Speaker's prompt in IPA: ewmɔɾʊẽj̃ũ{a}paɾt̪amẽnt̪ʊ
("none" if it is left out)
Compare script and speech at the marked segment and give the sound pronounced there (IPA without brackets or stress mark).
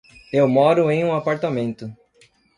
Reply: a